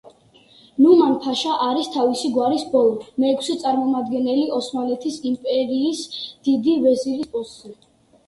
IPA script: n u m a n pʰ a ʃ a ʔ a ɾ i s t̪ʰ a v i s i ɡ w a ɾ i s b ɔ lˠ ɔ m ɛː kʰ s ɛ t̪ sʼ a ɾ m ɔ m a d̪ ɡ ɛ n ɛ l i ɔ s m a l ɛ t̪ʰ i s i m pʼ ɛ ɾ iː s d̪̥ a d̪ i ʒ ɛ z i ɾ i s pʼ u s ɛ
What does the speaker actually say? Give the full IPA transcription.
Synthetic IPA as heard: n u m a n pʰ a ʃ a ʔ a ɾ i s t̪ʰ a v i s i ɡ w a ɾ i s b ɔ lˠ ɔ m ɛː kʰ s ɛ t̪ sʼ a ɾ m ɔ m a d̪ ɡ ɛ n ɛ l i ɔ s m a l ɛ t̪ʰ i s i m pʼ ɛ ɾ iː s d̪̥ i d̪ i v ɛ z i ɾ i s pʼ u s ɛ

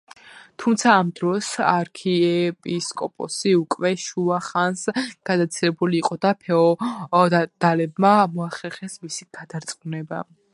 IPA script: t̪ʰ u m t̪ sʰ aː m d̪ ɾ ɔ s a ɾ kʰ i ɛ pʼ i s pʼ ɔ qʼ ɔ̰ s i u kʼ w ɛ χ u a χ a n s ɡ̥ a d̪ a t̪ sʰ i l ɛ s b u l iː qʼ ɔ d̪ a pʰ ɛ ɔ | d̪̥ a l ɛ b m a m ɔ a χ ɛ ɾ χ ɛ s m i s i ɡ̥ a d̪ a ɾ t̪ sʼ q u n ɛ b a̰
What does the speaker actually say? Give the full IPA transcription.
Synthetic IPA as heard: t̪ʰ u m t̪ sʰ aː m d̪ ɾ ɔ s a ɾ kʰ i ɛ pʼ i s kʼ ɔ pʼ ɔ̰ s i u kʼ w ɛ ʃ u a χ a n s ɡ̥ a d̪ a t̪ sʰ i l ɛ b u l iː qʼ ɔ d̪ a pʰ ɛ ɔ | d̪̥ a l ɛ b m a m ɔ a χ ɛ ɾ χ ɛ s m i s i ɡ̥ a d̪ a ɾ t̪ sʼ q u n ɛ b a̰

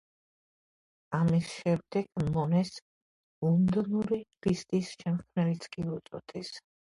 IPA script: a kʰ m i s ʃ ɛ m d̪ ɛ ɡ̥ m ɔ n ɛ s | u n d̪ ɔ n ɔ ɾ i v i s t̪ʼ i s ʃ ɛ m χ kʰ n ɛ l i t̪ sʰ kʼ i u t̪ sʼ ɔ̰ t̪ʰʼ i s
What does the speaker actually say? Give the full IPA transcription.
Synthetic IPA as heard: a m i s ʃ ɛ m d̪ ɛ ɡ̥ m ɔ n ɛ s | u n d̪ ɔ n u ɾ i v i s t̪ʼ i s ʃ ɛ m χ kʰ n ɛ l i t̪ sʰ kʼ i u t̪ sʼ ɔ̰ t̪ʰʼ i s

